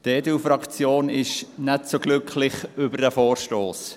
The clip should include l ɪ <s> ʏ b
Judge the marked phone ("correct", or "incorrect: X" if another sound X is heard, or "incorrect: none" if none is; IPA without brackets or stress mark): incorrect: χ